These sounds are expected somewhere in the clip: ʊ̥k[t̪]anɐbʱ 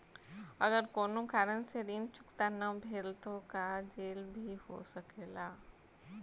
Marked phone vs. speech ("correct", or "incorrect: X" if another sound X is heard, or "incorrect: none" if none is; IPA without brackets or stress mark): correct